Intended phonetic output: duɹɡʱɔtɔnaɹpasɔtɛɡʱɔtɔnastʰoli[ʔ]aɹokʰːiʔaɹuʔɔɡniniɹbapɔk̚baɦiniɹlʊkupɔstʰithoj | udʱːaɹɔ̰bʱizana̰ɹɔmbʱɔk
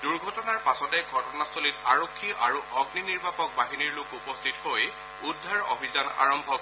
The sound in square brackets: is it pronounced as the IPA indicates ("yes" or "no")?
no